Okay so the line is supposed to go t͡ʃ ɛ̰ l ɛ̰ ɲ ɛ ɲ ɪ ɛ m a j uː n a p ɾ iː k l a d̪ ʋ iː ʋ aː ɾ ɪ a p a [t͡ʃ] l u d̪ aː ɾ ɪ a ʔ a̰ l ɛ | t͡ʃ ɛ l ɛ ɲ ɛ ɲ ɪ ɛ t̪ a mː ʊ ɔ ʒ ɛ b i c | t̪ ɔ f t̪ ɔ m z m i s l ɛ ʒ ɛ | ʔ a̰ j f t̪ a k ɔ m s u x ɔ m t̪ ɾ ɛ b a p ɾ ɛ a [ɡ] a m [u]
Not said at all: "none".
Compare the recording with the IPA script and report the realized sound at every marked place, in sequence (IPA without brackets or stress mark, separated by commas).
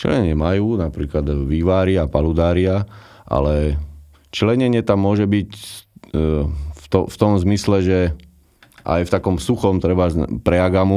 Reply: none, ɡ, u